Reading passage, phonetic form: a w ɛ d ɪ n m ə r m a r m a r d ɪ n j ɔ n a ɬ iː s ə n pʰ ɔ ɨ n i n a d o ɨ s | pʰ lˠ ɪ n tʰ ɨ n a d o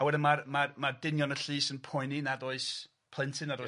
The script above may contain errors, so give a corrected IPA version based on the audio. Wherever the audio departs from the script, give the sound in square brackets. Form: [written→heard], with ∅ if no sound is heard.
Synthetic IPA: a w ɛ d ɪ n m [ə→a] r m a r m a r d ɪ n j ɔ n [a→ə] ɬ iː s ə n pʰ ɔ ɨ n i n a d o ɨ s | pʰ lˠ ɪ n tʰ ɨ n a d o

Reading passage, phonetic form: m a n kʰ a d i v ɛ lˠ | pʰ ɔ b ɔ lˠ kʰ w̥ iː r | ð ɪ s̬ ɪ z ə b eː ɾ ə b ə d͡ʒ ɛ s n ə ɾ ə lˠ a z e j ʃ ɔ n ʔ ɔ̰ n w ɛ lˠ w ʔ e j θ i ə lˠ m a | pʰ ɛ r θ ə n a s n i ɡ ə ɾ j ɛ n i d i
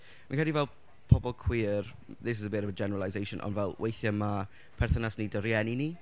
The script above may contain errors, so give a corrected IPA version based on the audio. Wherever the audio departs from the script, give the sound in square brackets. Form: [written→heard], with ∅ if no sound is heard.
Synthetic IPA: m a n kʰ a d i v ɛ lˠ | pʰ ɔ b ɔ lˠ kʰ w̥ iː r | ð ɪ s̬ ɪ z ə b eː ɾ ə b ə d͡ʒ ɛ [s→∅] n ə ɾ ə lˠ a z e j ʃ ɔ n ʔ ɔ̰ n [w→v] ɛ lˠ w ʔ e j θ [i→j] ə [lˠ→∅] m a | pʰ ɛ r θ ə n a s n i [ɡ→d] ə ɾ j ɛ n i [d→n] i

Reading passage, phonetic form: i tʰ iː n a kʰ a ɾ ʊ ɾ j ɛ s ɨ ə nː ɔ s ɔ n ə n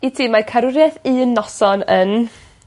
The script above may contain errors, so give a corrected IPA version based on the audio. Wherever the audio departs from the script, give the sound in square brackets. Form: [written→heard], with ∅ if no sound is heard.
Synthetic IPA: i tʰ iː [n→m] a kʰ a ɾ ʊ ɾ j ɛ [s→θ] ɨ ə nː ɔ s ɔ n ə n

